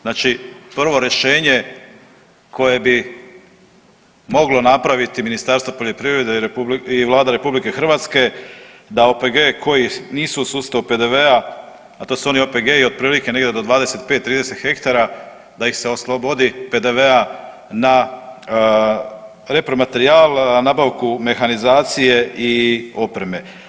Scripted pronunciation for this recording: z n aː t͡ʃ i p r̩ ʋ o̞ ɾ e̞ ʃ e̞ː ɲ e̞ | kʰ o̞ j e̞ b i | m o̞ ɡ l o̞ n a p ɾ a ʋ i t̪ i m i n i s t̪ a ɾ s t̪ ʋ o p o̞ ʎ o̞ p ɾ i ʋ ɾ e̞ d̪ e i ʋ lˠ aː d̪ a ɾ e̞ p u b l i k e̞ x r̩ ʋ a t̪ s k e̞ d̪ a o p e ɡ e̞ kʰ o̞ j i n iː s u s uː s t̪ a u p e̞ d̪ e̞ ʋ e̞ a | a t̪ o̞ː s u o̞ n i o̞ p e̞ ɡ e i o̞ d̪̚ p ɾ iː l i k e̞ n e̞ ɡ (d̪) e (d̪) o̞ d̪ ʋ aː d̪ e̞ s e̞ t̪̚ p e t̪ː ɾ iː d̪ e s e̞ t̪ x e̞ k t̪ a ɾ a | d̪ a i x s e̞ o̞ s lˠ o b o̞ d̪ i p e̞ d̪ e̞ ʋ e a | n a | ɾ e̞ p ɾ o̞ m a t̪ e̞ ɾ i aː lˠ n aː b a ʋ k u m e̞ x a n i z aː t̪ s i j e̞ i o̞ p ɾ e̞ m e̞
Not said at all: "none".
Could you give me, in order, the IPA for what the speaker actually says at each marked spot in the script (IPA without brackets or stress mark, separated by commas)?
d̪, d̪